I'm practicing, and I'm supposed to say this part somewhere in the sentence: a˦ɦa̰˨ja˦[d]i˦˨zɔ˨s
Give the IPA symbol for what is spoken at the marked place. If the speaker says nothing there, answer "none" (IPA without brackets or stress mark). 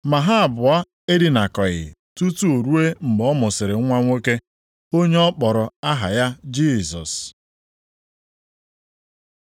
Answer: d͡ʒ